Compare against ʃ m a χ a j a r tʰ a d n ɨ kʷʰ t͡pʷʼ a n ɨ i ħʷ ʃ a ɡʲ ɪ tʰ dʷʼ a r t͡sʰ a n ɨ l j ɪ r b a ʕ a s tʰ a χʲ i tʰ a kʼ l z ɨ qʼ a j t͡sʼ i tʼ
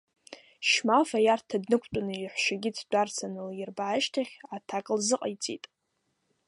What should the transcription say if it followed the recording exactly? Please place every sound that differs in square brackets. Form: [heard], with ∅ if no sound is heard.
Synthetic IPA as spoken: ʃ m a [f] a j a r tʰ a d n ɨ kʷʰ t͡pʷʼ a n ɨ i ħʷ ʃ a ɡʲ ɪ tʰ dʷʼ a r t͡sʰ a n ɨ l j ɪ r b a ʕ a [ʃ] tʰ a χʲ [a] tʰ a kʼ l z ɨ qʼ a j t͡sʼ i tʼ